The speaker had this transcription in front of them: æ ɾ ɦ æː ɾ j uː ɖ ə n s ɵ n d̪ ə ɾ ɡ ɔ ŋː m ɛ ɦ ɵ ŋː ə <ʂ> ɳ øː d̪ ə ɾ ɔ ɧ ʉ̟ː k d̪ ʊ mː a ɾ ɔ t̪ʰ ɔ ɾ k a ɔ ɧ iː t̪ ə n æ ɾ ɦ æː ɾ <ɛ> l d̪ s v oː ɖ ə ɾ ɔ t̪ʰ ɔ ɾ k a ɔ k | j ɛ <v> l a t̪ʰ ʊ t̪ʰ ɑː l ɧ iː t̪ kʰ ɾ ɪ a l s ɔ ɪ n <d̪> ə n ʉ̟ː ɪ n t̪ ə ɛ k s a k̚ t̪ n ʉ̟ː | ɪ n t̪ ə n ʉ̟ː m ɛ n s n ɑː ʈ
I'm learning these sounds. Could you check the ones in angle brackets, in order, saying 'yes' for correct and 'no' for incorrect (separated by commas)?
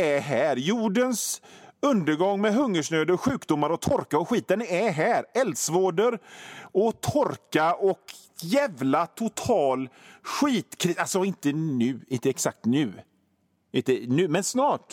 yes, yes, yes, no